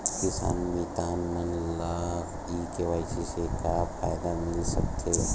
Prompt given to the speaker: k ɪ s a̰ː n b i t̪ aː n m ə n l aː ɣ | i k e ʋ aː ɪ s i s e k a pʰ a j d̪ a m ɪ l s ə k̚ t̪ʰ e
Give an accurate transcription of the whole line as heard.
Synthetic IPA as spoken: k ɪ s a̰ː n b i t̪ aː n m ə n l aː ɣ | i k e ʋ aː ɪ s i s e k a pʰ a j d̪ a m ɪ l s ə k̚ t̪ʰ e